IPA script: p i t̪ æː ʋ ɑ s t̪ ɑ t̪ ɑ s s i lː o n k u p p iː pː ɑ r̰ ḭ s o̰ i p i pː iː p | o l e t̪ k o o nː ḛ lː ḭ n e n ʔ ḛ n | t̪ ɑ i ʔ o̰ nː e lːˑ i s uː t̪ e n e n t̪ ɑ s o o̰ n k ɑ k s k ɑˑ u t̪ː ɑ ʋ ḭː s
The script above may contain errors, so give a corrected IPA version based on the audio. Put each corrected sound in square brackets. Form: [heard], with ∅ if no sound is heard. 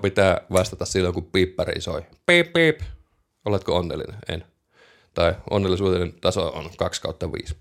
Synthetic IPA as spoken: p i t̪ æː ʋ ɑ s t̪ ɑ t̪ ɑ s s i lː o [ŋ] k u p p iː pː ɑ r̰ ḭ s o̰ i p i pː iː p | o l e t̪ k o o nː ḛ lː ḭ n e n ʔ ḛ n | t̪ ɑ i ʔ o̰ nː e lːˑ i s uː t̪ e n e n t̪ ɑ s o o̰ n k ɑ k s k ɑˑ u t̪ː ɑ ʋ ḭː s